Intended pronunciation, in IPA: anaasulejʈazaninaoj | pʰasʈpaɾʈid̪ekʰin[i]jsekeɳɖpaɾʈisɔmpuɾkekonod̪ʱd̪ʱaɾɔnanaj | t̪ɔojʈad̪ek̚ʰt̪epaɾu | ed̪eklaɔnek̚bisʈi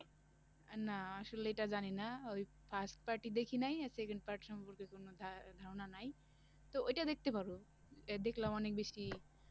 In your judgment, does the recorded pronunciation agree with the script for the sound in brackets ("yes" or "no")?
no